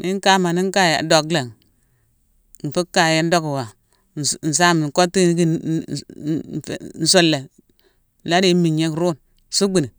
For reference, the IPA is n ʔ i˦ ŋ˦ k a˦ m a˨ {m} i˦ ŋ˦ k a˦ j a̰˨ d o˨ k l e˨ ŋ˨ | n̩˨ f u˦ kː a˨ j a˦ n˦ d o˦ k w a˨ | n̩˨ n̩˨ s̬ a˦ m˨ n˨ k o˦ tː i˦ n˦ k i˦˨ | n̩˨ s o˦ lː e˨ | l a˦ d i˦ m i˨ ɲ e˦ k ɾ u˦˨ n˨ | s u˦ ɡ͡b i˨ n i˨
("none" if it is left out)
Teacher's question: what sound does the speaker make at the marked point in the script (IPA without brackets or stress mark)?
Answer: n